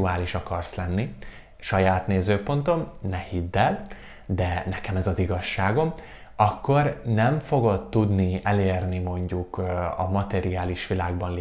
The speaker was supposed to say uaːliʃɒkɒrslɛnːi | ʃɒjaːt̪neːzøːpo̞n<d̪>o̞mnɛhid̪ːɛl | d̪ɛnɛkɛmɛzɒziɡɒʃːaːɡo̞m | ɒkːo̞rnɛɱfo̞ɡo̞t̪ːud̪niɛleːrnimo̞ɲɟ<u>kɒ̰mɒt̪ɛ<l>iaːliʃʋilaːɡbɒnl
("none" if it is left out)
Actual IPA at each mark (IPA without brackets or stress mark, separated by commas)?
t̪, u, ɾ